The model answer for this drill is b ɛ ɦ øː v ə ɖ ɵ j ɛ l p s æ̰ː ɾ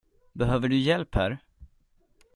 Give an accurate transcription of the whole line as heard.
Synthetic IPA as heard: b ɛ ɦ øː v ə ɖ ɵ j ɛ l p h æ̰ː ɾ

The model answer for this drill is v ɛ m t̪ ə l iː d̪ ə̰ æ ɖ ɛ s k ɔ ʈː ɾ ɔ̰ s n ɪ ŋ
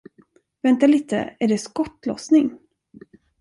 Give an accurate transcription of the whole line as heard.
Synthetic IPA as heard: v ɛ n t̪ a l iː t̪ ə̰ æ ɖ ɛ s k ɔ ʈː l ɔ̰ s n ɪ ŋ

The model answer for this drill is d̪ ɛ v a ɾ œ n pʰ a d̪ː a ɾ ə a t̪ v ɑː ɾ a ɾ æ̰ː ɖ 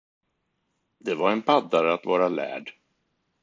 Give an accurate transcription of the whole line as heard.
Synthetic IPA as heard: d̪ ɛ v a ɾ ɛ n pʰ a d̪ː a ɾ ə a t̪ v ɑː ɾ a l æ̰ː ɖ

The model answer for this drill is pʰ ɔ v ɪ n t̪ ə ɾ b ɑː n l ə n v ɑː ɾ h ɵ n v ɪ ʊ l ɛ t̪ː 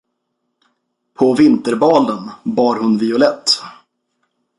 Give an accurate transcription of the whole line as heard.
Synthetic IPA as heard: pʰ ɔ v ɪ n t̪ ə ɾ b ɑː l ə n b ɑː ɾ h ɵ n v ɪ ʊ l ɛ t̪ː

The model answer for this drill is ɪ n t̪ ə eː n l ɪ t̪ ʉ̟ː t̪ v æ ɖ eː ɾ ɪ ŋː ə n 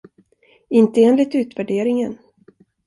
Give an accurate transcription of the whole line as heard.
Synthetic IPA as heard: ɪ n t̪ ə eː n l ɪ t̪ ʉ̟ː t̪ v æ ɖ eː ɾ ɪ ŋ ə n

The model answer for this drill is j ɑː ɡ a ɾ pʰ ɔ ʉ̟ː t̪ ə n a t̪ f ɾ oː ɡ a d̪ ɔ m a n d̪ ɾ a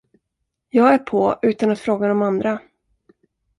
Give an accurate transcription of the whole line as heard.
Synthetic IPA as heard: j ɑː ɡ æ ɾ pʰ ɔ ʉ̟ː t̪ a n a t̪ f ɾ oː ɡ a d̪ ɔ m a n d̪ ɾ a

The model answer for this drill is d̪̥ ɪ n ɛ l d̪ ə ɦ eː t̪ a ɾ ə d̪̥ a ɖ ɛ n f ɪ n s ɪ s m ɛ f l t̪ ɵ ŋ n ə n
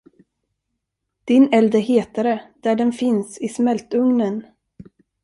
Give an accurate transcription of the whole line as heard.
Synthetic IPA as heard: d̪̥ ɪ n ɛ l d̪ ə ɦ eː t̪ a ɾ ə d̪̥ æ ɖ ɛ n f ɪ n s ɪ s m ɛ l t̪ ɵ ŋ n ə n

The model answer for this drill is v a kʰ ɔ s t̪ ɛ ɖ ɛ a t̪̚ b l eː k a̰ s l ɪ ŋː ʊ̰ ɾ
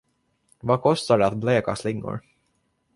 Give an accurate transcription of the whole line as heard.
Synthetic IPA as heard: v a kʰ ɔ s t̪ a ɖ ɛ a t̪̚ b l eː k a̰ s l ɪ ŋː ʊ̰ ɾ

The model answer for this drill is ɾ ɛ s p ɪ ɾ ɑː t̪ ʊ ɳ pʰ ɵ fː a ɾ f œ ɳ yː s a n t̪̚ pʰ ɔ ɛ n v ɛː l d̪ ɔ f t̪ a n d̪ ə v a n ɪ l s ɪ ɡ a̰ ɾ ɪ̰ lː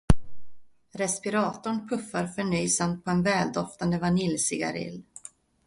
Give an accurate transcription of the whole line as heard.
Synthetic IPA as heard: ɾ ɛ s p ɪ ɾ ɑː t̪ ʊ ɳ pʰ ɵ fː a ɾ f œ ɳ yː s a m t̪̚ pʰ ɔ ɛ n v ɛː l d̪ ɔ f t̪ a n d̪ ə v a n ɪ l s ɪ ɡ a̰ ɾ ɪ̰ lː

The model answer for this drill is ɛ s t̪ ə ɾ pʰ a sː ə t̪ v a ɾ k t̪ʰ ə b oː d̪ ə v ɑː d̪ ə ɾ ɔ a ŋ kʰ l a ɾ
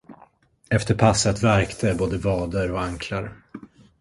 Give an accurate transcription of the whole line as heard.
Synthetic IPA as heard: ɛ f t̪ ə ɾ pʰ a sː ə t̪ v æ ɾ k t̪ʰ ə b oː d̪ ə v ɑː d̪ ə ɾ ɔ a ŋ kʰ l a ɾ

